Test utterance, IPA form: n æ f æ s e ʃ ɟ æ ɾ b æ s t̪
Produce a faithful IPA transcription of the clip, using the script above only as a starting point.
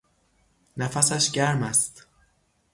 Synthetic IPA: n æ f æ s æ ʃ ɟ æ ɾ m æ s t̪

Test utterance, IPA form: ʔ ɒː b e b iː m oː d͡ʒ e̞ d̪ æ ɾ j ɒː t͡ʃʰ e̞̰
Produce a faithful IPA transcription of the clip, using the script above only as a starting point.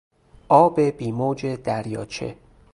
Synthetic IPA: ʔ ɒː b e b iː m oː d͡ʒ e̞ d̪ æ ɾ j ɒː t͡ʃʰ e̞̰

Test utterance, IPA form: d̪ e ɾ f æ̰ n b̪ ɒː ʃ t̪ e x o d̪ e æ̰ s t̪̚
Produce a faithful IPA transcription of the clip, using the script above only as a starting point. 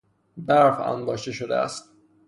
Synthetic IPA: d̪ æ ɾ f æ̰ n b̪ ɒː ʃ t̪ e ʃ o d̪ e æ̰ s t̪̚

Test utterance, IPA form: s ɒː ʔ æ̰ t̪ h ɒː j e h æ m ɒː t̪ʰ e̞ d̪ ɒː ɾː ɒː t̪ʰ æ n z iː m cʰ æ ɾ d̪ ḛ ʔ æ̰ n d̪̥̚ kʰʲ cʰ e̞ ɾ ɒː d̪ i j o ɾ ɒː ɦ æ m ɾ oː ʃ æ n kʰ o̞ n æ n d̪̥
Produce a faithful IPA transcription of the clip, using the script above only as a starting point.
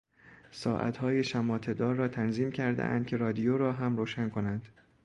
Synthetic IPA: s ɒː ʔ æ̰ t̪ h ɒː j e ʃ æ m ɒː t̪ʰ e̞ d̪ ɒː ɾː ɒː t̪ʰ æ n z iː m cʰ æ ɾ d̪ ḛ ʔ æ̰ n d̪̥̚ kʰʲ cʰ e̞ ɾ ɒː d̪ i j o ɾ ɒː ɦ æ m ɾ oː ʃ æ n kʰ o̞ n æ n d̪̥

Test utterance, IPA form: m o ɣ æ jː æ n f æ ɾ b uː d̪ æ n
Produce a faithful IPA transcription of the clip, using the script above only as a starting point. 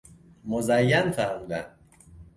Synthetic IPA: m o z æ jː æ n f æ ɾ m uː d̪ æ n

